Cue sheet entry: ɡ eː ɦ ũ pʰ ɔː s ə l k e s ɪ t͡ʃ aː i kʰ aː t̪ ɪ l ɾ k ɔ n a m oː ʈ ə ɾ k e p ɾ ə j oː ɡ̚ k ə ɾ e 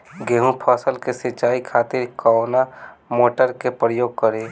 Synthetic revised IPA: ɡ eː ɦ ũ pʰ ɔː s ə l k e s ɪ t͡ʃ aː i kʰ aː t̪ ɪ ɾ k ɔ n a m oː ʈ ə ɾ k e p ɾ ə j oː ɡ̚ k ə ɾ e